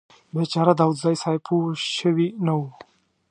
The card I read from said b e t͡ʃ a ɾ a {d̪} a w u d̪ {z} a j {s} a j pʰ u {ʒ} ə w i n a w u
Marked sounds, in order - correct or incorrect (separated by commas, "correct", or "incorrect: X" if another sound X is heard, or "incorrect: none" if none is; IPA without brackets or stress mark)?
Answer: correct, correct, correct, incorrect: ʃ